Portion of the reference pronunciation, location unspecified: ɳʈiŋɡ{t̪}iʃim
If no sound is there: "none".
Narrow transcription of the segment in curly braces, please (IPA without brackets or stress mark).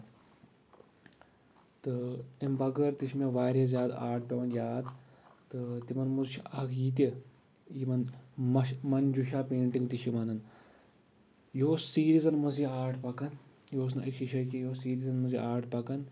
t̪